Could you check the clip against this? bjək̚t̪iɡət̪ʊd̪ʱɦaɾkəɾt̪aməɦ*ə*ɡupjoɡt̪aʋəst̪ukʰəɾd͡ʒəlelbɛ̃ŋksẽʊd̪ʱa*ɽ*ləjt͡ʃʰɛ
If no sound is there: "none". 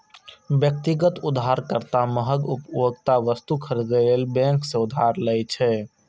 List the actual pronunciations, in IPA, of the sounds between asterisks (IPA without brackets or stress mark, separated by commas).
ə, ɾ